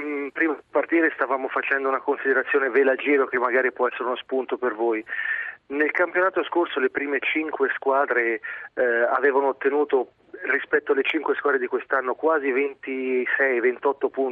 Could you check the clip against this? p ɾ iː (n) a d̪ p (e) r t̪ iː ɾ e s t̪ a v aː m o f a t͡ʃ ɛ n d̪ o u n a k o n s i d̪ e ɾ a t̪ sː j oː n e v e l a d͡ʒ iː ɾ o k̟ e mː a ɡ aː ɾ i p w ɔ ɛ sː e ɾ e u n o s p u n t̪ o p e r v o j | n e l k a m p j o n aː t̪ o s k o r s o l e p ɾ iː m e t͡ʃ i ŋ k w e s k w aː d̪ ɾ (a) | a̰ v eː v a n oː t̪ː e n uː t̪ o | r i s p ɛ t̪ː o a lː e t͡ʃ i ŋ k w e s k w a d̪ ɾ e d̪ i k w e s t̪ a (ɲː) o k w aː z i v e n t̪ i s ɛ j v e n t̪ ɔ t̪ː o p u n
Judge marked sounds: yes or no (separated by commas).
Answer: no, no, no, no